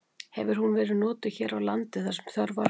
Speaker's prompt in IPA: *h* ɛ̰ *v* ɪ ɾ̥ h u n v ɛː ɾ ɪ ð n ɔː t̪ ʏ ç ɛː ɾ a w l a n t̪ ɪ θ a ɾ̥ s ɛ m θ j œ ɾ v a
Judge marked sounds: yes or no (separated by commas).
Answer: yes, yes